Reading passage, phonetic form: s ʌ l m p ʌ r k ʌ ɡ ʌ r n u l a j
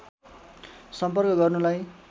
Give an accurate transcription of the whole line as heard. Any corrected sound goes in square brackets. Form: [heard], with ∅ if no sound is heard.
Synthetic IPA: s ʌ [∅] m p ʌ r k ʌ ɡ ʌ r n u l a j